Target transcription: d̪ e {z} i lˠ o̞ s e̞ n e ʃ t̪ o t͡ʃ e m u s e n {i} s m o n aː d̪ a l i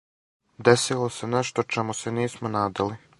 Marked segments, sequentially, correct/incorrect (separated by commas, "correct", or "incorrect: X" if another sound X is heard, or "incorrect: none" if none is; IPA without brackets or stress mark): incorrect: s, incorrect: iː